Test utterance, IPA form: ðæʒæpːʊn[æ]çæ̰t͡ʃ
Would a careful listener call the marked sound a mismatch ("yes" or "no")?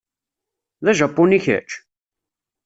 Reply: yes